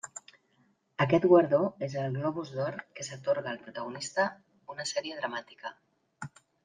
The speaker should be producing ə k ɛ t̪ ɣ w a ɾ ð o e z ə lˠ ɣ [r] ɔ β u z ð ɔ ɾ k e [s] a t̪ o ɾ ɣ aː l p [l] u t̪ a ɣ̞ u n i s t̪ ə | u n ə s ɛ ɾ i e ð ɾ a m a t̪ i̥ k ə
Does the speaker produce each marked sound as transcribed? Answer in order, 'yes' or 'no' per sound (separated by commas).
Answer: no, yes, no